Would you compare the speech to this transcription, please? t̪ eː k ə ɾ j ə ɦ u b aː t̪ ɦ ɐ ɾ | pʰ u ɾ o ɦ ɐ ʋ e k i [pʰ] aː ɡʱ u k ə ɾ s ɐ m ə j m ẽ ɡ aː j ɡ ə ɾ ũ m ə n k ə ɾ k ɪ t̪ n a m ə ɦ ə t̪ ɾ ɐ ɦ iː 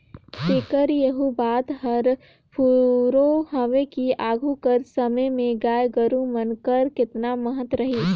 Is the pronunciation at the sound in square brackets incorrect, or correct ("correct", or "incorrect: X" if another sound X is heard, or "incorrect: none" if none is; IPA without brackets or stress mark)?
incorrect: none